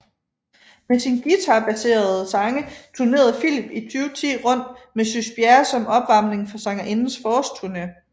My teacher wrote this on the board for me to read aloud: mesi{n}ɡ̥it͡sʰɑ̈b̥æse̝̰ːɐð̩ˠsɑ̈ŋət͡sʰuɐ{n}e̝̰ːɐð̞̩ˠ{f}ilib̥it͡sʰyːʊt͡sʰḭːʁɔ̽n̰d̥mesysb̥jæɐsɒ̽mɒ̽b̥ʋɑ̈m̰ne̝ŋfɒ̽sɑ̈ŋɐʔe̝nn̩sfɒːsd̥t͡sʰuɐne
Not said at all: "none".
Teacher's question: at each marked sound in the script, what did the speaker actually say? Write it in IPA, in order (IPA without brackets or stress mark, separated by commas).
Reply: n, n, f